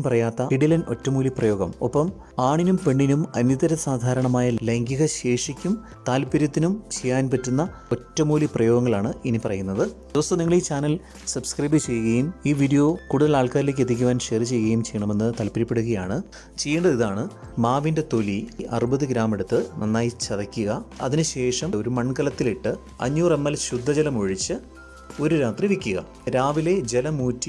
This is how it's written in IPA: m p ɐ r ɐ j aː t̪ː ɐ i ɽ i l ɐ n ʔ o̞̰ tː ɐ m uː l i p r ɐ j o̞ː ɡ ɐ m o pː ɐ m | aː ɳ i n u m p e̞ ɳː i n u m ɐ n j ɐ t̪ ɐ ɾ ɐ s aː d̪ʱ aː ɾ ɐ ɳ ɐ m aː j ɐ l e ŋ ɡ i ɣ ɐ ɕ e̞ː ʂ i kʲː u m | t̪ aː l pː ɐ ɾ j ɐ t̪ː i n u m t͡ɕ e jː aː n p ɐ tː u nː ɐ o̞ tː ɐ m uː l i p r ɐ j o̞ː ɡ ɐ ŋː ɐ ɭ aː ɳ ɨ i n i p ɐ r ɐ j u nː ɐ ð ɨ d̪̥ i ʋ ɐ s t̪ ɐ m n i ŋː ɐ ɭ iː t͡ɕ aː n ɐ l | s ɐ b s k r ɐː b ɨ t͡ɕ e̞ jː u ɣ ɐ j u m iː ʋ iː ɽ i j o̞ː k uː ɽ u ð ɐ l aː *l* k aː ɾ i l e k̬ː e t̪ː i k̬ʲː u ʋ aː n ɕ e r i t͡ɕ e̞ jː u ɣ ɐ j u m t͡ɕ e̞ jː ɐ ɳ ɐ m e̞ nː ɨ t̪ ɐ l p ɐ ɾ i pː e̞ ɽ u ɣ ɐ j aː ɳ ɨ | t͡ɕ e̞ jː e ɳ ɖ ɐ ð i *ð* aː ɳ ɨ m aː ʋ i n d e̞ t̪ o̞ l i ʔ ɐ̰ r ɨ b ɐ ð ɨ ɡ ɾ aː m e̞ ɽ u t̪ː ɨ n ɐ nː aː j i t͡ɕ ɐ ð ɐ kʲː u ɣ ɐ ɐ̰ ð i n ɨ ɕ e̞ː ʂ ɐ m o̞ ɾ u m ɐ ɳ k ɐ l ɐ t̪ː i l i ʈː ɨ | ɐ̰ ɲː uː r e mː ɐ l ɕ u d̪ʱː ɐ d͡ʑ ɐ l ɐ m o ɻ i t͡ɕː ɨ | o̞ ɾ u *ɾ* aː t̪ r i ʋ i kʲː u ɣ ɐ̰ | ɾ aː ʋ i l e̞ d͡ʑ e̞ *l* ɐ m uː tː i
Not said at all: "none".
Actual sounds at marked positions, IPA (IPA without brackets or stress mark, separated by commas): ɭ, ð, ɾ, l